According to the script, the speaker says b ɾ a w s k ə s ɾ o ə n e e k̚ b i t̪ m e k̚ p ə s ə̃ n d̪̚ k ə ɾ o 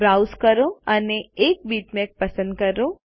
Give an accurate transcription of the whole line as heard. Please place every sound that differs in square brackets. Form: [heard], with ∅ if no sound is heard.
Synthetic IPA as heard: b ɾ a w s k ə [∅] ɾ o ə n e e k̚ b i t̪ m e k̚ p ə s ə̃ n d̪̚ k ə ɾ o